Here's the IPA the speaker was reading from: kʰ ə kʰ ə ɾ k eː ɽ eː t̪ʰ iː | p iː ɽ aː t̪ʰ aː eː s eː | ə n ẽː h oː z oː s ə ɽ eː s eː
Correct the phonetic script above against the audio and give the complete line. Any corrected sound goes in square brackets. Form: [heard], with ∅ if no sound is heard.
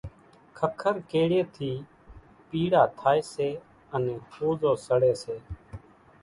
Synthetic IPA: kʰ ə kʰ ə ɾ k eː ɽ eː t̪ʰ iː | p iː ɽ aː t̪ʰ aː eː s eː | ə n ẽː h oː z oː s ə ɽ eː s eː